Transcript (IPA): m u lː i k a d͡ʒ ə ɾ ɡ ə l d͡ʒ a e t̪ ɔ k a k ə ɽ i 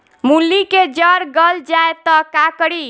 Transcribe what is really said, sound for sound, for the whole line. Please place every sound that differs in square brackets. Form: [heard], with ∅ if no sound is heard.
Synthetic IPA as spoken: m u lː i k [e] d͡ʒ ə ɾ ɡ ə l d͡ʒ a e t̪ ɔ k a k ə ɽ i